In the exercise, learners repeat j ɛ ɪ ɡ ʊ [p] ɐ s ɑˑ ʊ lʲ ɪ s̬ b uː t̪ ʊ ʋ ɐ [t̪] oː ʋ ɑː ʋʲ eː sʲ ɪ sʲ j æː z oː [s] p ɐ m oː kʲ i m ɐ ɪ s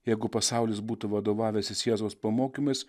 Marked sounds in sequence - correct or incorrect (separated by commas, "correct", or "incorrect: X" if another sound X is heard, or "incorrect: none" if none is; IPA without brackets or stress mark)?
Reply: correct, incorrect: d̪, correct